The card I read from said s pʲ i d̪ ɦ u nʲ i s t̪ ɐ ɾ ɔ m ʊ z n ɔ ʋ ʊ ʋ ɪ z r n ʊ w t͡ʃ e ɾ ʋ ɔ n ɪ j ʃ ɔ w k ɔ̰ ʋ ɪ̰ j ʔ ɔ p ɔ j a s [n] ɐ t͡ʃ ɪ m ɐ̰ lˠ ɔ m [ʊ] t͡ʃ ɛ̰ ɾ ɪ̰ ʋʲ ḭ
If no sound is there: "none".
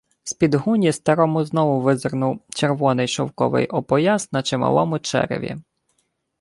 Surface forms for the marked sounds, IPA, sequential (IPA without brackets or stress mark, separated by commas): n, ʊ